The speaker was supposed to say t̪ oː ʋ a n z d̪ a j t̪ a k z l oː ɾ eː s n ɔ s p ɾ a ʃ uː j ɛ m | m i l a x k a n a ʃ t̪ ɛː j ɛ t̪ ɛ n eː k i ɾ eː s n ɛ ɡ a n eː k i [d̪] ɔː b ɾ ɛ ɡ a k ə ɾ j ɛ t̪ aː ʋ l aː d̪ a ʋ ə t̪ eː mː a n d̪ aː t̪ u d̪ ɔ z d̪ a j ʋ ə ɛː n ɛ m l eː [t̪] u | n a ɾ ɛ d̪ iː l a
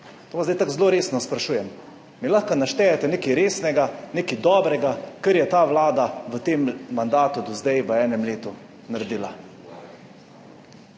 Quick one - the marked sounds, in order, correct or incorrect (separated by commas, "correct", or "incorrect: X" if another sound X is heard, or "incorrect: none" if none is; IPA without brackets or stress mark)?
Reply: correct, correct